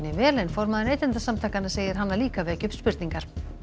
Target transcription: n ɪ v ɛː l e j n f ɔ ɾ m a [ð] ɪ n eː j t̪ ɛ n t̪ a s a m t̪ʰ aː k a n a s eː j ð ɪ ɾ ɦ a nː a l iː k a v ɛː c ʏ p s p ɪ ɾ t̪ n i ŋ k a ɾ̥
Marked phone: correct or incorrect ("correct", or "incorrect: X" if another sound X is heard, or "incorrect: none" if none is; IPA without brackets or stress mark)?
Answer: correct